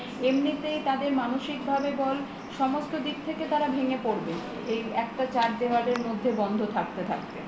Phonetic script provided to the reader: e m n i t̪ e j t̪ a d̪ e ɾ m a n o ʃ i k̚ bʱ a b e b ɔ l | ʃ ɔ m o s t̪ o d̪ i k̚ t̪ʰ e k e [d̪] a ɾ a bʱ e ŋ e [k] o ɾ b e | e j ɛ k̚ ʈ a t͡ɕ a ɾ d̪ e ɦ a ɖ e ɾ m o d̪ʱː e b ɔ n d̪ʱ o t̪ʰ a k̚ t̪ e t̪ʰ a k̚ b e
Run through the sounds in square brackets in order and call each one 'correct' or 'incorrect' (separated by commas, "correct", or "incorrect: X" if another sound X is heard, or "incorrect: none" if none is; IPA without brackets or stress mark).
incorrect: t̪, incorrect: p